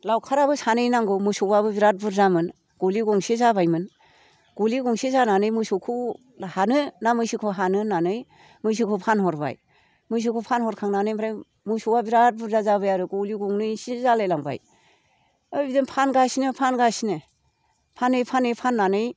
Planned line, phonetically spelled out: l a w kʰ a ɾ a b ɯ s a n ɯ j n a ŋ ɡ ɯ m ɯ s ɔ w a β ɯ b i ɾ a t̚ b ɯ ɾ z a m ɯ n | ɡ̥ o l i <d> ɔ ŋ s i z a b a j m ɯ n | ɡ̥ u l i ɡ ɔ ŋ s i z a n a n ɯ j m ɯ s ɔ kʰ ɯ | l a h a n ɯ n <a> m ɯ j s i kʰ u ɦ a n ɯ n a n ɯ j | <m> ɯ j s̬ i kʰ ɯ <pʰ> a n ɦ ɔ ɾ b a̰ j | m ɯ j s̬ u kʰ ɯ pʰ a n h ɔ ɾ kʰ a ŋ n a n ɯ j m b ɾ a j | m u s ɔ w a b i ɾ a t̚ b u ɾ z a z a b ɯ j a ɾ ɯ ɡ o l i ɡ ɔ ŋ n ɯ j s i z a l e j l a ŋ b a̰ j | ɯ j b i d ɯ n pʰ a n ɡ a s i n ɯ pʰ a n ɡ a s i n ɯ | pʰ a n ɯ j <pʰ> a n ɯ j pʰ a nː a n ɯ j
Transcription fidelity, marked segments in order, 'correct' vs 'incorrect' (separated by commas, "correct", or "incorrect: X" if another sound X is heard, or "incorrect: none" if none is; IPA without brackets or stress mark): incorrect: ɡ, correct, correct, correct, correct